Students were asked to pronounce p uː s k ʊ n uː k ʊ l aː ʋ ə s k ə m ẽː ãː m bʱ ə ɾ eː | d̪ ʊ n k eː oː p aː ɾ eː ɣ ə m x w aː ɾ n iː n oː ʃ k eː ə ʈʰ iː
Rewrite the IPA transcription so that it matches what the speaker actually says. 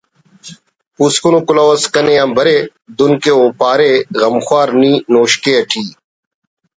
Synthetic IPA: p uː s k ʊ n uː k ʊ l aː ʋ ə s k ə n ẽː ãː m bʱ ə ɾ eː | d̪ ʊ n k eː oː p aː ɾ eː ɣ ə m x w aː ɾ n iː n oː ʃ k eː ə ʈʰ iː